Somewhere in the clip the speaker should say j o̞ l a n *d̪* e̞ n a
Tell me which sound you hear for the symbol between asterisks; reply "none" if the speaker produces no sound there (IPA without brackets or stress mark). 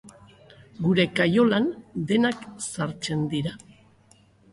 d̪